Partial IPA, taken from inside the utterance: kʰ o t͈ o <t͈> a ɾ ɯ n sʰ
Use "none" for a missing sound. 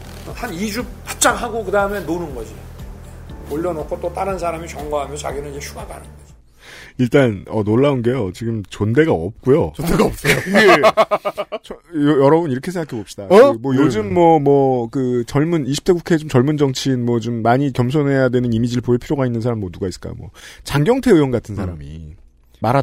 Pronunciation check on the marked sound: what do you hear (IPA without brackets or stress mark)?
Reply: t͈